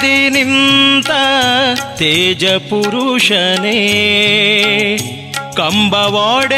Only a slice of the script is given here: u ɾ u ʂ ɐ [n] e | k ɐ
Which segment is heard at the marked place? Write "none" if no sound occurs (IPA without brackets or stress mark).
n